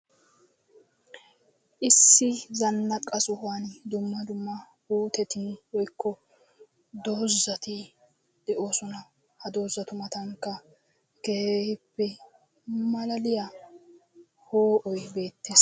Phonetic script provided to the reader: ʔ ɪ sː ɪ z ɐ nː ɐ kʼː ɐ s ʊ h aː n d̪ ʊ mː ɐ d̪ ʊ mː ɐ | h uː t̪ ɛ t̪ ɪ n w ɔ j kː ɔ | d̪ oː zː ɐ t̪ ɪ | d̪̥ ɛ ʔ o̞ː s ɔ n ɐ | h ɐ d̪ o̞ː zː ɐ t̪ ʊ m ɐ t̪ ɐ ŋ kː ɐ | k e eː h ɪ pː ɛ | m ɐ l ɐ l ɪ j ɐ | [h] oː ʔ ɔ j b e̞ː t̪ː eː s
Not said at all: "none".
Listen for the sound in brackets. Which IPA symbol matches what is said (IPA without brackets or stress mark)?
h